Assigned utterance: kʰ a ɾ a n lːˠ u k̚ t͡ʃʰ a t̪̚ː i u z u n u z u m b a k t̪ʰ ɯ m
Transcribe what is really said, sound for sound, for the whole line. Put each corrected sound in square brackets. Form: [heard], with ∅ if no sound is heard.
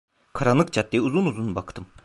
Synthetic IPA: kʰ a ɾ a n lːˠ [ɯ] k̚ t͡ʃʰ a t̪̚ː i u z u n u z u [n] b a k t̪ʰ ɯ m